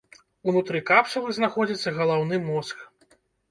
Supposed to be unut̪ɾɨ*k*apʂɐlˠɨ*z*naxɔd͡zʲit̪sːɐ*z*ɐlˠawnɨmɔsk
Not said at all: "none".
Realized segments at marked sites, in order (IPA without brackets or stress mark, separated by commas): k, z, ɣ